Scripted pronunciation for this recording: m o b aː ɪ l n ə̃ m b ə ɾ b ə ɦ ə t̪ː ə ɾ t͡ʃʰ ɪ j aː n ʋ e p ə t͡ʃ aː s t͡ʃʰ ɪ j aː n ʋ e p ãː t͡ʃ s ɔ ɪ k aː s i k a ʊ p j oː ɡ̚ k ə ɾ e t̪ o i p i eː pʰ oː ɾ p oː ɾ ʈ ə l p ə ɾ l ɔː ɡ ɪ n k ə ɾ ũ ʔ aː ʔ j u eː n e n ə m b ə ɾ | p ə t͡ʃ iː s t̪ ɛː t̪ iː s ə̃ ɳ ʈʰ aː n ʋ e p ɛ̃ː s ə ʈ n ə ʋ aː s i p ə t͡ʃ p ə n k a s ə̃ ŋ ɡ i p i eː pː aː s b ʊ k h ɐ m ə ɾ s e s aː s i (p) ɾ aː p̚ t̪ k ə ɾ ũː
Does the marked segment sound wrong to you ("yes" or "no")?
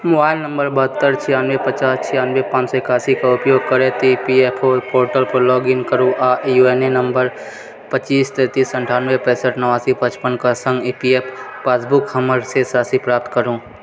no